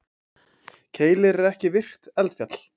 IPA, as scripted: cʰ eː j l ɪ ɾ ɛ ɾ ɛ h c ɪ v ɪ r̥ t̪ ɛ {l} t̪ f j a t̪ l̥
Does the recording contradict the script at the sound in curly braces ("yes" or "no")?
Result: no